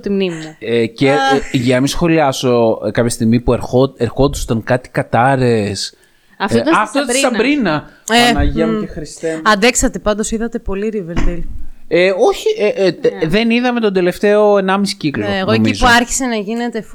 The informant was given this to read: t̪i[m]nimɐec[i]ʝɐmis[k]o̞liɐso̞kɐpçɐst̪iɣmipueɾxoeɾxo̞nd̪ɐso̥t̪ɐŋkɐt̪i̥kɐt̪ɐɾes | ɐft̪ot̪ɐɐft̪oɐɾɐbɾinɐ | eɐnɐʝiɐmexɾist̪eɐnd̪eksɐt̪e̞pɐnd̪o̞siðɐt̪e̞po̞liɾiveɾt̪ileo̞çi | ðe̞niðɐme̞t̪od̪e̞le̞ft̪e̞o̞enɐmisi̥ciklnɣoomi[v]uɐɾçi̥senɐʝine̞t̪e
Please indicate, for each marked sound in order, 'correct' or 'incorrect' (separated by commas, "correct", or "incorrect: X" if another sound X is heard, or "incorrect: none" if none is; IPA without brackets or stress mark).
correct, incorrect: e, incorrect: x, incorrect: z